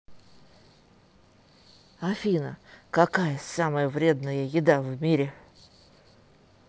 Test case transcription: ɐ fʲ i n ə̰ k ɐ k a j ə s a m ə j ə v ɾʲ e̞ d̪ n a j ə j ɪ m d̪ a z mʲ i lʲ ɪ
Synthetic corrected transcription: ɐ fʲ i n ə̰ k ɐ k a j ə s a m ə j ə v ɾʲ e̞ d̪ n ə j ə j ɪ d̪ a v mʲ i ɾʲ ɪ